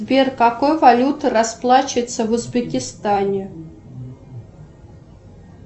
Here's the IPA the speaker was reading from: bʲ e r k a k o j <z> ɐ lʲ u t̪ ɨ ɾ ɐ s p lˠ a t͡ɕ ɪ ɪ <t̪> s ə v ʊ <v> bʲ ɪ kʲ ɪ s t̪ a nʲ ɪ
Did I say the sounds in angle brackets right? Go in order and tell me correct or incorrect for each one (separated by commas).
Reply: incorrect, correct, incorrect